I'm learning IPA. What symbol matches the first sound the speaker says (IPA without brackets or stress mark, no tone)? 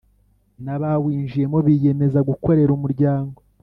n